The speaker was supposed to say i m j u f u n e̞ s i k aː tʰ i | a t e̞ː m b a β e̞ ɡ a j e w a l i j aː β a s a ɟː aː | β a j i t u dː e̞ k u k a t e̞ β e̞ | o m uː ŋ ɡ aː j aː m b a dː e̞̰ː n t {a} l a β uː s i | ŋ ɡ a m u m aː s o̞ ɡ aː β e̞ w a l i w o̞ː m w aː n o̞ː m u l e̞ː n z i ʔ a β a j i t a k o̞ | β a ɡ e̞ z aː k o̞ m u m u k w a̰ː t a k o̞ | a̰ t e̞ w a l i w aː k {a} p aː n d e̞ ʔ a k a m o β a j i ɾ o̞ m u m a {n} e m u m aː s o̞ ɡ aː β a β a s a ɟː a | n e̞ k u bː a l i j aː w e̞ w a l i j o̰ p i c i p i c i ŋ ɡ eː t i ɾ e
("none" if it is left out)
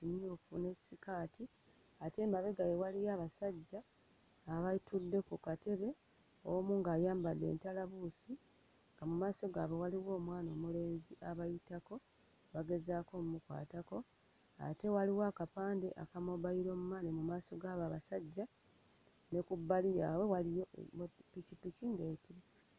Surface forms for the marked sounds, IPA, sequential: a, a, n

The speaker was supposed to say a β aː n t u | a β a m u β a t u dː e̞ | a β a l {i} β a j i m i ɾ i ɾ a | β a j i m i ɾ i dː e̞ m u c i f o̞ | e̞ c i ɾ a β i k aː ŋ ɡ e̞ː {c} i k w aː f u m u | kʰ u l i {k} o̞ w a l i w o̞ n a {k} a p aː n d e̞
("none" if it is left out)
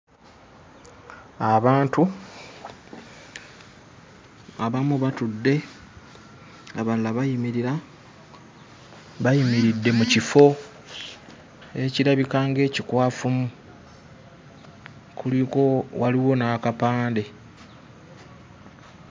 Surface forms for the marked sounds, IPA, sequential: a, c, k, k

